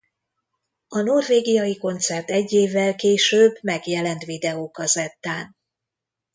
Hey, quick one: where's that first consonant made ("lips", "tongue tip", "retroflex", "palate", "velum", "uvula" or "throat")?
tongue tip